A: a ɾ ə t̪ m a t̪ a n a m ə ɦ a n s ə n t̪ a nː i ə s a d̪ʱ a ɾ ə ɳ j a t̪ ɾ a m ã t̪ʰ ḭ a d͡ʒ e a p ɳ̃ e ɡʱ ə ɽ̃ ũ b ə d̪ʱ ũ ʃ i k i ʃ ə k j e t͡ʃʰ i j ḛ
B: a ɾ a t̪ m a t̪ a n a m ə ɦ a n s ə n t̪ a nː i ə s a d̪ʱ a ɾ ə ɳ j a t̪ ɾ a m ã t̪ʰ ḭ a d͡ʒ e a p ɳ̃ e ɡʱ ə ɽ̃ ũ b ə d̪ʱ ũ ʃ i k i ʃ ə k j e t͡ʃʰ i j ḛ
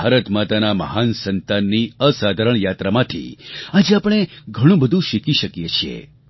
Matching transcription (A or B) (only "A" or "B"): A